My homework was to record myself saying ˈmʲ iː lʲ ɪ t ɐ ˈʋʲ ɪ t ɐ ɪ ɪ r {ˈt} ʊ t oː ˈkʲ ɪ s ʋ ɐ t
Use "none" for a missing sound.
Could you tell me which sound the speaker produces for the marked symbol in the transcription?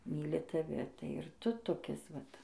t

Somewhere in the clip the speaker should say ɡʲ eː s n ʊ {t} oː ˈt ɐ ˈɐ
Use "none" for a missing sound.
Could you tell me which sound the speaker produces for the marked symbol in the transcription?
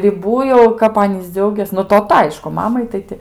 t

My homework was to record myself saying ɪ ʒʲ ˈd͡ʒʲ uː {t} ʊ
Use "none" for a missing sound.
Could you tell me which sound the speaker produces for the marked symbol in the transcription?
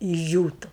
t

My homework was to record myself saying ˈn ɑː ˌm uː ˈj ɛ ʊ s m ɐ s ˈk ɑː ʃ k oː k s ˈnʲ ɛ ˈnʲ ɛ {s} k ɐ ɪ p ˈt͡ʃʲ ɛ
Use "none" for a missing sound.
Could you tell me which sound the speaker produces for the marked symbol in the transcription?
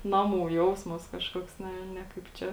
none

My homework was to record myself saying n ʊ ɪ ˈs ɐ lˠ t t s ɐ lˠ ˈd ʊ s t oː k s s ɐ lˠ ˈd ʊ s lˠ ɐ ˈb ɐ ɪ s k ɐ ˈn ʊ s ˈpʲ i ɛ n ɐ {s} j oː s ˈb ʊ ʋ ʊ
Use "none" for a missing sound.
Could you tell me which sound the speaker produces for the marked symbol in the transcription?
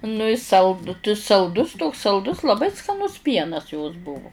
s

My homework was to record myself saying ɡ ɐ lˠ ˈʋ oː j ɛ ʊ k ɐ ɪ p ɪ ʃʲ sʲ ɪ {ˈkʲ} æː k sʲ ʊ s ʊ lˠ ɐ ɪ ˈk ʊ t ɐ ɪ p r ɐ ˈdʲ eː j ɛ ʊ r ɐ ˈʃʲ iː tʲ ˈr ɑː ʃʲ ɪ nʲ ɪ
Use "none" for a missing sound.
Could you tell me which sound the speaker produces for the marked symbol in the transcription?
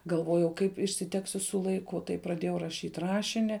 tʲ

